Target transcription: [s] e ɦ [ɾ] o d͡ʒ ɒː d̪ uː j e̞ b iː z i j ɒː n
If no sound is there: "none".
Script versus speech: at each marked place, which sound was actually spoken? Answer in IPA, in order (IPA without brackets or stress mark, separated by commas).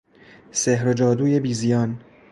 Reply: s, ɾ